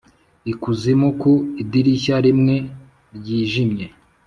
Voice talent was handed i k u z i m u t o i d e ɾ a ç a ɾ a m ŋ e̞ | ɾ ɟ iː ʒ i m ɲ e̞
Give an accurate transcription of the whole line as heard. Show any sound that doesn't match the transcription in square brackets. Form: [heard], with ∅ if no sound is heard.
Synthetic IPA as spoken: i k u z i m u [k] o i d [i] ɾ [i] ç a ɾ [i] m ŋ e̞ | ɾ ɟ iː ʒ i m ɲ e̞